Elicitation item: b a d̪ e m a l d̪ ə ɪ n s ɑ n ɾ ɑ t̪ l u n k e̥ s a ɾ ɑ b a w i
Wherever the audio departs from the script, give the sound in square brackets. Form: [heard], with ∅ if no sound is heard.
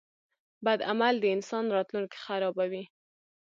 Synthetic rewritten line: b a d̪ [a] m a l d̪ ə ɪ n s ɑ n ɾ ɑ t̪ l u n k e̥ [x] a ɾ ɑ b a w i